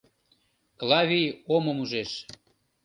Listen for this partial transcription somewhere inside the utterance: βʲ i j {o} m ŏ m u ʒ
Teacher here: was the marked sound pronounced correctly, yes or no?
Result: yes